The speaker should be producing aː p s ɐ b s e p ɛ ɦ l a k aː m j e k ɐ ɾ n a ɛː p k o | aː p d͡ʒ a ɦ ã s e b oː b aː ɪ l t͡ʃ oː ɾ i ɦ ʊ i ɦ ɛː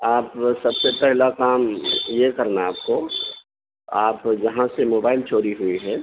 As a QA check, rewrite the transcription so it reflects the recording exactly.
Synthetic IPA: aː p s ɐ b s e p ɛ ɦ l a k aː m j e k ɐ ɾ n a aː p k o | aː p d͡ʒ ɐ ɦ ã s e m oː b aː ɪ l t͡ʃ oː ɾ i ɦ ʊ i ɦ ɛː